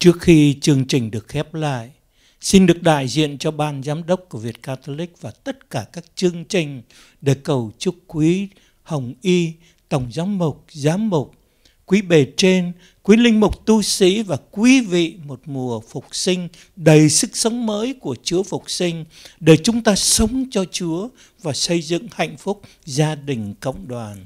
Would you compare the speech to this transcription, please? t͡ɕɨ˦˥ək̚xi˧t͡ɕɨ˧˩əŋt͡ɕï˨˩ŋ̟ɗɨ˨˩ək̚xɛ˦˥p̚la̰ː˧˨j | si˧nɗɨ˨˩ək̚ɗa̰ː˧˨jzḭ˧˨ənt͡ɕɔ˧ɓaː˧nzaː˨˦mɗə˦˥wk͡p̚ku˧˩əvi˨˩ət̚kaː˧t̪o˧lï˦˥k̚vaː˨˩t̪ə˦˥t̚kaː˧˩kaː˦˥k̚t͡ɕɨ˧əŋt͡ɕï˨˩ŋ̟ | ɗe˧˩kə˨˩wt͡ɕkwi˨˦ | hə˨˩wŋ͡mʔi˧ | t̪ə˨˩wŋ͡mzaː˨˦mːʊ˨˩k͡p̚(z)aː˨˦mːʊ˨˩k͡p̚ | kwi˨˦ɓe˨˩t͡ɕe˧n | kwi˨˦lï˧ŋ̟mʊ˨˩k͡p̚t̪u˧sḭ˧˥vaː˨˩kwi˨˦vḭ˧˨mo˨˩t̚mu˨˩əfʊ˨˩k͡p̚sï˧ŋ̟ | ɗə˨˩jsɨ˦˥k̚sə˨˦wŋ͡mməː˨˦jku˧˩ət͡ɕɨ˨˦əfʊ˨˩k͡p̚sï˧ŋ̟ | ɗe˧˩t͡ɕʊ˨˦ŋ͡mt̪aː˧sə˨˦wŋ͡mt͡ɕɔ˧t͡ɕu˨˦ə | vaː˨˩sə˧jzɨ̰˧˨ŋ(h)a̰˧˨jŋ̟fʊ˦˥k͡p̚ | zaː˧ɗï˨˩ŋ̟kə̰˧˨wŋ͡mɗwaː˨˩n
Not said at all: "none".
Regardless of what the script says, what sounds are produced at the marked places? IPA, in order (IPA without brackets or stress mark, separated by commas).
z, h